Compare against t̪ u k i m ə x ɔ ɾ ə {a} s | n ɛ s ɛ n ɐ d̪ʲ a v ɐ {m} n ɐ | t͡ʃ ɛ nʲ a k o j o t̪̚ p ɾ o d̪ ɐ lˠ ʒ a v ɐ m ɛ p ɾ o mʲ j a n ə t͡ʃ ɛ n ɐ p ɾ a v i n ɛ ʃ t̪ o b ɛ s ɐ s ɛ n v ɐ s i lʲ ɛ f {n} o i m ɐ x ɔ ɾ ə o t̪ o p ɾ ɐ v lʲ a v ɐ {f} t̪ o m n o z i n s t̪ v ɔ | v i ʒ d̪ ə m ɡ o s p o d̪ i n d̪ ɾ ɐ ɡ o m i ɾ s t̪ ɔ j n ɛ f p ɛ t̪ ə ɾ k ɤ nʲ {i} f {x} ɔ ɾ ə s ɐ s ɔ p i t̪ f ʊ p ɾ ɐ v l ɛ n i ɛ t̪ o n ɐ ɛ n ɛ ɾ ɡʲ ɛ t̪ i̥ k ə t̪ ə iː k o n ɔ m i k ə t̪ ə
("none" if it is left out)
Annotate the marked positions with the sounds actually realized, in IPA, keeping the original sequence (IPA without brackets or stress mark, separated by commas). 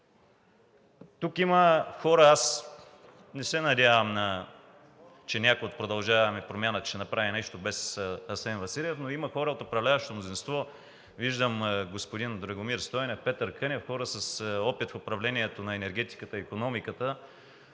a, m, n, ʃ, ɛ, x